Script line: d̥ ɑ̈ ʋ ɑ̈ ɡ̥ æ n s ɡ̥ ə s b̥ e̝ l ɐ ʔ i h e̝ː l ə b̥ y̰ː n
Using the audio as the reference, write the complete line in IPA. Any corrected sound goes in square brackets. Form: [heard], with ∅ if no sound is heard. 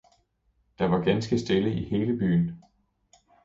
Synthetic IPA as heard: d̥ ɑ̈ ʋ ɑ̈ ɡ̥ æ n s ɡ̥ ə s [d̥] e̝ l [ə] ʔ i h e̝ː l ə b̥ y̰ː n